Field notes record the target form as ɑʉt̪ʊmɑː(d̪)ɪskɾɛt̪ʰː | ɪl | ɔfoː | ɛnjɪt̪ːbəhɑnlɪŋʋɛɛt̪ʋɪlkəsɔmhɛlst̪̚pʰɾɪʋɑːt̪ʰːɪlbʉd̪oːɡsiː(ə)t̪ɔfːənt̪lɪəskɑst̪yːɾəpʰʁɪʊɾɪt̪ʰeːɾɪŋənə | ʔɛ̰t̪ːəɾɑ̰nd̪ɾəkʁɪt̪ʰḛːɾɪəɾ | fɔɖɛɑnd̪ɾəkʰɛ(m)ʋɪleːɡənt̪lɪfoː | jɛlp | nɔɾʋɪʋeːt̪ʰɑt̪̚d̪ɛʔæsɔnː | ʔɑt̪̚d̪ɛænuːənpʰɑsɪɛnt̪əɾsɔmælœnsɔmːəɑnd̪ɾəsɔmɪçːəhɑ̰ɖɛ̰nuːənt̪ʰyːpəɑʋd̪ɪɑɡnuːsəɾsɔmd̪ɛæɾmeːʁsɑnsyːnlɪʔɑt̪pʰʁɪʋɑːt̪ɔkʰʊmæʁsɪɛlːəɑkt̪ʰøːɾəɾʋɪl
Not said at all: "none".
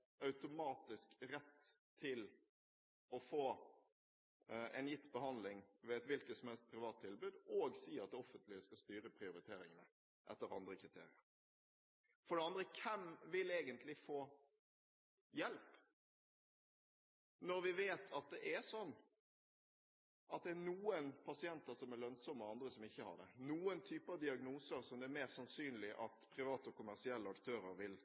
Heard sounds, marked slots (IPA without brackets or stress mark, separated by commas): t̪, ɑ, m